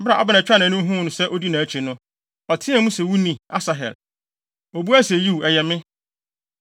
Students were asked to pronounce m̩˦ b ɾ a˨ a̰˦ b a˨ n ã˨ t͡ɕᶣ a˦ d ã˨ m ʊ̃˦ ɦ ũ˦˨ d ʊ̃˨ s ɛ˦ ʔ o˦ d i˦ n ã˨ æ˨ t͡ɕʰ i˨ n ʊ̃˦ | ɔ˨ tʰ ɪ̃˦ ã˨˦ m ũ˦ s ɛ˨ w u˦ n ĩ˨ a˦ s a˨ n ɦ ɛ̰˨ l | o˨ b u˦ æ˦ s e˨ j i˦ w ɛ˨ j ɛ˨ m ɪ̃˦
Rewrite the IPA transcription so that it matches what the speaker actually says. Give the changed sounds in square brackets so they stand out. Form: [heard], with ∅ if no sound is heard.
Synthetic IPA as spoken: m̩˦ b ɾ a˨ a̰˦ b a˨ n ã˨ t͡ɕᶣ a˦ [n] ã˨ [n] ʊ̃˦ ɦ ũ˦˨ [n] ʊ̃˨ s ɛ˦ ʔ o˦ d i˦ n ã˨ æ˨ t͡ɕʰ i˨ n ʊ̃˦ | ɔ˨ tʰ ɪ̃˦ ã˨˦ m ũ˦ s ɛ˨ w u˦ n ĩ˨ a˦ s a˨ [∅] ɦ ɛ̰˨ l | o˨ b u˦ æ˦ s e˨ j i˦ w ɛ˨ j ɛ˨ m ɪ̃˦